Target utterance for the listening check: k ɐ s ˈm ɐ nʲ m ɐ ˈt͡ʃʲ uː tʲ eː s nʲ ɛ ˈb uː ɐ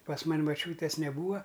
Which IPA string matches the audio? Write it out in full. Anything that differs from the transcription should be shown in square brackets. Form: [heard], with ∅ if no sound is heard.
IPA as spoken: [p] ɐ s ˈm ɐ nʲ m ɐ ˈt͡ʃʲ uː tʲ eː s nʲ ɛ ˈb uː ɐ